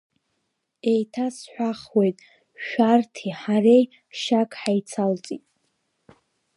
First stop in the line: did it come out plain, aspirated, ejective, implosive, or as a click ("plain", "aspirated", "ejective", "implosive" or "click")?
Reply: aspirated